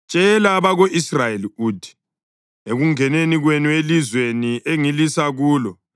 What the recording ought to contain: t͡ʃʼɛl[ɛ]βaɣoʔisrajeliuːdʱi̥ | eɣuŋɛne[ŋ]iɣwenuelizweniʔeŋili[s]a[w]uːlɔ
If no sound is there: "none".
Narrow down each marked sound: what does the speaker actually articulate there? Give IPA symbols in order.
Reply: a, n, s, ɣ

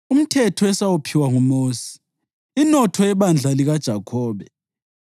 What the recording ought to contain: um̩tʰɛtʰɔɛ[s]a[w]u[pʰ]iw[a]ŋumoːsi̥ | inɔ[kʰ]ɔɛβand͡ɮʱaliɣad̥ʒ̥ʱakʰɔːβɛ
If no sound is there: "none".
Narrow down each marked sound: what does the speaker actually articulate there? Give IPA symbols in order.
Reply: s, w, pʰ, a, tʰ

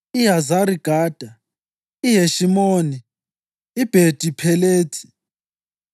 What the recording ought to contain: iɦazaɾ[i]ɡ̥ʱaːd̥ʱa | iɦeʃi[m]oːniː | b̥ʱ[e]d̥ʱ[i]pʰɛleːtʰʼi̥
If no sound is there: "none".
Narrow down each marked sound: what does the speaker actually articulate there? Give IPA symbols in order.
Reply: i, m, e, i

